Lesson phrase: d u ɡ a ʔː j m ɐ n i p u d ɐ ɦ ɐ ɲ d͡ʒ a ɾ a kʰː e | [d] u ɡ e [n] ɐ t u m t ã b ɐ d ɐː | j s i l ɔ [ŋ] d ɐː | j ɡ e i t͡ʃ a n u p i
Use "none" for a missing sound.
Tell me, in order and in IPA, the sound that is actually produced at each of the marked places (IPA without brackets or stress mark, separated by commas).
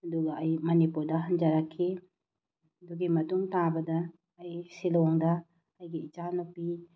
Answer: d, m, ŋ